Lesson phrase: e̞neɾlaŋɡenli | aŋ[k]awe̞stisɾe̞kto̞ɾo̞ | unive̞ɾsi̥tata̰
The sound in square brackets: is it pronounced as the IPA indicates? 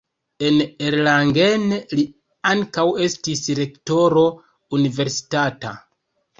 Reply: yes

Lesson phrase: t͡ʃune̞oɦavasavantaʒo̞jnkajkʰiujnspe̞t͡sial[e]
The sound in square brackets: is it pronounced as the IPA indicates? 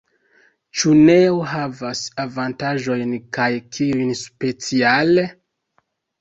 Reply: yes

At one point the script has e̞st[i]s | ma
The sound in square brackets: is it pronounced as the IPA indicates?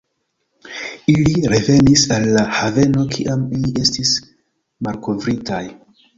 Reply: yes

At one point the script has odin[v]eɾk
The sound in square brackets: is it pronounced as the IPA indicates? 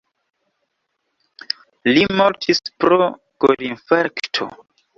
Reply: no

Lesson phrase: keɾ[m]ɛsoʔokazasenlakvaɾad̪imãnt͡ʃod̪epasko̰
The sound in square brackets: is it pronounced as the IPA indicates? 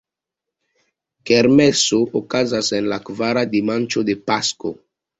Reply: yes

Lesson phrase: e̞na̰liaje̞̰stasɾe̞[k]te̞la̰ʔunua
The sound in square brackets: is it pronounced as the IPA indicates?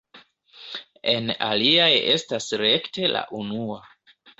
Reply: yes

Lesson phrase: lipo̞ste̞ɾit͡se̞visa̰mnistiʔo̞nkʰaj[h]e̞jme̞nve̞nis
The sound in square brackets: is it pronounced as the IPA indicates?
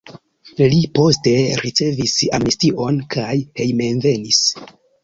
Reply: yes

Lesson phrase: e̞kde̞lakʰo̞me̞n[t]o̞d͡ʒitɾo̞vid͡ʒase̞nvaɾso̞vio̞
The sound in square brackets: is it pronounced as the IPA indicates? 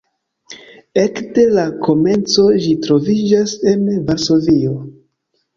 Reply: no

